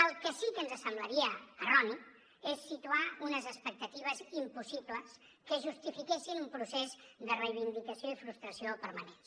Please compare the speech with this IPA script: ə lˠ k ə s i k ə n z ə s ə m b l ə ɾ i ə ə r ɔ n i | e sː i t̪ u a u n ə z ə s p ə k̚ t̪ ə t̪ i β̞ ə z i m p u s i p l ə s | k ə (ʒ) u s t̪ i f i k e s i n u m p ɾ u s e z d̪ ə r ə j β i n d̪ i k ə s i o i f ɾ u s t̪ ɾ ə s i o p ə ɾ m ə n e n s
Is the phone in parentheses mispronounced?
no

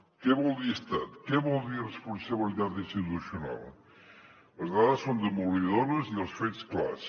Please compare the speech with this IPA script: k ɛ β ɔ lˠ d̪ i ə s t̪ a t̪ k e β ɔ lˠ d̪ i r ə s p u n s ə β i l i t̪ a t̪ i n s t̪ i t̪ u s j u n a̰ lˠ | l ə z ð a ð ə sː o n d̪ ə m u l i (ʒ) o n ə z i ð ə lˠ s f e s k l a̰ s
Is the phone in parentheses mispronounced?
yes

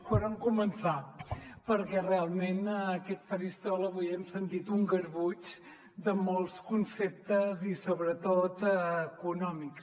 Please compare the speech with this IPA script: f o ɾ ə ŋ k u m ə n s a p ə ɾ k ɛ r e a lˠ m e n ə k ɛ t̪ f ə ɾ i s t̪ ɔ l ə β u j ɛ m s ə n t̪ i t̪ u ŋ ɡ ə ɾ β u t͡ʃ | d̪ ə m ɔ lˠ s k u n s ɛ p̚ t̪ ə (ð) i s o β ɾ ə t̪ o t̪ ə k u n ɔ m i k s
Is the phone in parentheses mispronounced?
yes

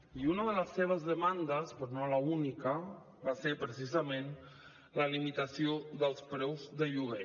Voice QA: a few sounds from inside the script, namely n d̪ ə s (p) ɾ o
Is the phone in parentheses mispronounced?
no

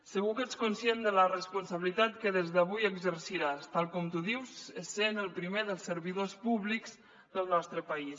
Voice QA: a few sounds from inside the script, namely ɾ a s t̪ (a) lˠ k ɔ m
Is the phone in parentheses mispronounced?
no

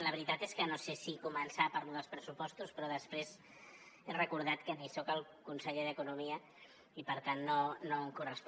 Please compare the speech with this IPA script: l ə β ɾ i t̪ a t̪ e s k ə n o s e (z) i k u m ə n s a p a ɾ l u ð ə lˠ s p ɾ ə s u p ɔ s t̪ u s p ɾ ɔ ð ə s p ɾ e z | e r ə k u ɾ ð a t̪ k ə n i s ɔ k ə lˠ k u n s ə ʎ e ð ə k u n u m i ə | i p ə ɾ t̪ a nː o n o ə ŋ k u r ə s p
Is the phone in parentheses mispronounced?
yes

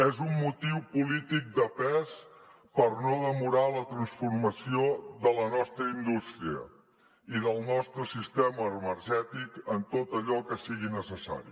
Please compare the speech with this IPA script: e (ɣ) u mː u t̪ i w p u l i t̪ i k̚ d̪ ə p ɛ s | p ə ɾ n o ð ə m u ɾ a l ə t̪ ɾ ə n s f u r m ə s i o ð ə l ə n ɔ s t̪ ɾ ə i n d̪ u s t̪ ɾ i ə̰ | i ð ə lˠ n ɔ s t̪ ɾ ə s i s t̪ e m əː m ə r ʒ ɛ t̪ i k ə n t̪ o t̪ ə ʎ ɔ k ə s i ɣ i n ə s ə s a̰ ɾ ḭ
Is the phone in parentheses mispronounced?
yes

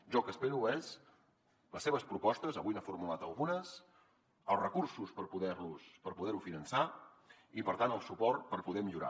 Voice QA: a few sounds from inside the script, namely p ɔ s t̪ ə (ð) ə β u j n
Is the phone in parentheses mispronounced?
yes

